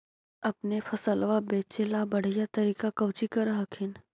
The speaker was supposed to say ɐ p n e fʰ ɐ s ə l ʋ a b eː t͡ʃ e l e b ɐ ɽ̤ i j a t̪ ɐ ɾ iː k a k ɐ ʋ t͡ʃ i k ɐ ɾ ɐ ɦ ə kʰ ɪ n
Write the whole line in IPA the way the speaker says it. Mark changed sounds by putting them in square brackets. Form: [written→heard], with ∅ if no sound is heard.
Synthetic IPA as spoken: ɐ p n e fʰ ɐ s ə l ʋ a b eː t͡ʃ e l [e→a] b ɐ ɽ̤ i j a t̪ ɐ ɾ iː k a k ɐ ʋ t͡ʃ i k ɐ ɾ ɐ ɦ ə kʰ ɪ n